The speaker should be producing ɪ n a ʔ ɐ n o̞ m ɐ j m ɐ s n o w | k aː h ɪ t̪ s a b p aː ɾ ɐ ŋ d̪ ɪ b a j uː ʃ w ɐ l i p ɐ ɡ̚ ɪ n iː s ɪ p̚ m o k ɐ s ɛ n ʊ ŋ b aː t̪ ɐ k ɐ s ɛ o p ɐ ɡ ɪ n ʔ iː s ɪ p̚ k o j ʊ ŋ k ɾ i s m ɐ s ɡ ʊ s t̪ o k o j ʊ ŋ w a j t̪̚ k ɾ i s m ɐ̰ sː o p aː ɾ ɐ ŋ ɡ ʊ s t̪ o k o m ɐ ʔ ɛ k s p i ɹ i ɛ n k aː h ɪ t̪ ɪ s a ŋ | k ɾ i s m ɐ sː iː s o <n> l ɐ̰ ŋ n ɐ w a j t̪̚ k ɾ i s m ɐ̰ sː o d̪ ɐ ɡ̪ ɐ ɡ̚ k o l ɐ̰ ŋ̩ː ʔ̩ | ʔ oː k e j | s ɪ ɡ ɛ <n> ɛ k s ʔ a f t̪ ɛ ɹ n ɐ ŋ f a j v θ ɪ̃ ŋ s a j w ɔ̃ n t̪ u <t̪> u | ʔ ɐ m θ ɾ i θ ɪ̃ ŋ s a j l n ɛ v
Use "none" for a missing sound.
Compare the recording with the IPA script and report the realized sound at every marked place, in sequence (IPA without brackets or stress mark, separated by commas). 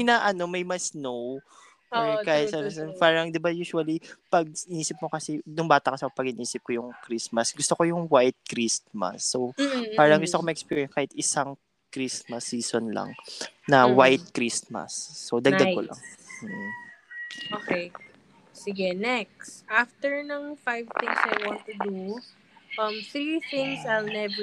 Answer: n, n, d̪